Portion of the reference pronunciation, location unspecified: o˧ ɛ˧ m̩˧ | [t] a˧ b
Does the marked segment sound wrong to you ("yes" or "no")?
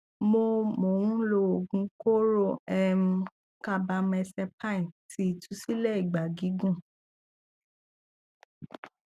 yes